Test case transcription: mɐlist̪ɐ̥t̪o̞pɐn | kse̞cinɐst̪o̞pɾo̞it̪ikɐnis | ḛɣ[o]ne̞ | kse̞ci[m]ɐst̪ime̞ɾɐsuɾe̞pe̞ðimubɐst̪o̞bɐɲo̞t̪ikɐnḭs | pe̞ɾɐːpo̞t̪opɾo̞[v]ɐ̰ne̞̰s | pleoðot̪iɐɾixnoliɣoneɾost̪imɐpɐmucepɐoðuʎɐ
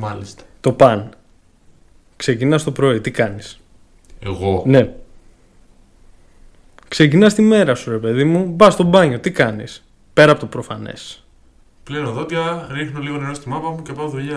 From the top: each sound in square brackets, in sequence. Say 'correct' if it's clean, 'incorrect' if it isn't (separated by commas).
correct, incorrect, incorrect